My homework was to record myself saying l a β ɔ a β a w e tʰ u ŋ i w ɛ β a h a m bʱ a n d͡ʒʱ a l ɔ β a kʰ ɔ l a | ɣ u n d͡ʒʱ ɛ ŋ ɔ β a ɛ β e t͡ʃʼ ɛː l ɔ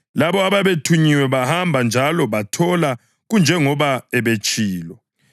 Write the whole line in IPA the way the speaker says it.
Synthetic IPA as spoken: l a β ɔ a β a β e tʰ u ɲ i w ɛ β a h a m bʱ a n d͡ʒʱ a l ɔ β a tʰ ɔ l a | ɣ u n d͡ʒʱ ɛ ŋ ɔ β a ɛ β e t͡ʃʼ iː l ɔ